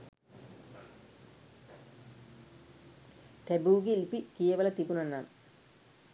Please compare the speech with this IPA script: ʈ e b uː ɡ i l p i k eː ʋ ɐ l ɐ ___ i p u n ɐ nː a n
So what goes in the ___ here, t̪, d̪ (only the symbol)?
t̪